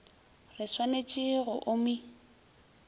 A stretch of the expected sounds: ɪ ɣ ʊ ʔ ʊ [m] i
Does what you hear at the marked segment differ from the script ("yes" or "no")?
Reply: no